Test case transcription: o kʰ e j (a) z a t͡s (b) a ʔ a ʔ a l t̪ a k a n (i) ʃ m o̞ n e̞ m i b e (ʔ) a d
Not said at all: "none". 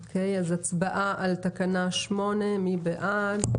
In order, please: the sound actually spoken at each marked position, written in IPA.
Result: a, b, a, ʔ

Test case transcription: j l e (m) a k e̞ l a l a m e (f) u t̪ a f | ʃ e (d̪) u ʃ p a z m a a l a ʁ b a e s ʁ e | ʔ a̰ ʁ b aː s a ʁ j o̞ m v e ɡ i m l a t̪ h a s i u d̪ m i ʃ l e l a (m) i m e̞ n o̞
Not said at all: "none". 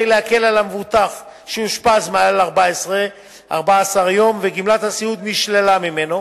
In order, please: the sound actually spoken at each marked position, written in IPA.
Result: none, v, none, m

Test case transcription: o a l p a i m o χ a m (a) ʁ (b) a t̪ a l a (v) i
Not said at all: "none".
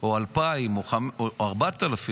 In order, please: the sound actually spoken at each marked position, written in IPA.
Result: a, b, f

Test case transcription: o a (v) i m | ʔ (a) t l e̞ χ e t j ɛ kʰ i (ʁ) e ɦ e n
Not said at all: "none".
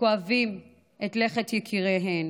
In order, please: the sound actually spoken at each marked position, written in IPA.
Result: v, e, ʁ

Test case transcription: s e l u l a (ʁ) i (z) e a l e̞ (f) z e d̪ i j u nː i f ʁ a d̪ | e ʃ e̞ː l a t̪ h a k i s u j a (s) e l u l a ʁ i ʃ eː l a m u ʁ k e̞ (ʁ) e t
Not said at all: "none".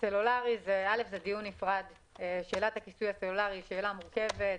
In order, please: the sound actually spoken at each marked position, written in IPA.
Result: ʁ, z, f, s, v

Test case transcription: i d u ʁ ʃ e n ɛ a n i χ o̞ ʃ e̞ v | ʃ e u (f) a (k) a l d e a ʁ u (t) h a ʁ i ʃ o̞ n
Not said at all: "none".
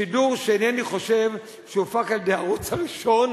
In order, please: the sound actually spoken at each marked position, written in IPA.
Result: f, k, t͡s

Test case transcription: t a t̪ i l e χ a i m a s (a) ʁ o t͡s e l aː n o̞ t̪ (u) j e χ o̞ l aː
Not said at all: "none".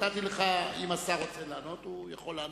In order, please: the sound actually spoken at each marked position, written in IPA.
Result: a, u

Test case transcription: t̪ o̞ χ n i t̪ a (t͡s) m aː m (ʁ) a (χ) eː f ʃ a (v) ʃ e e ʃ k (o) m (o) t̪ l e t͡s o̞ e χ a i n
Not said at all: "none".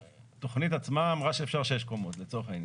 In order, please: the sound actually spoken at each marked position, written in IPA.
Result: t͡s, ʁ, ʃ, ʁ, o, o

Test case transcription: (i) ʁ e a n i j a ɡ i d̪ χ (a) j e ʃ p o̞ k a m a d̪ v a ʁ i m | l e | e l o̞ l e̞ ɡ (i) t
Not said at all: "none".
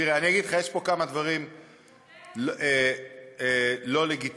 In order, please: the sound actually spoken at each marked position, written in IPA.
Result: i, a, i

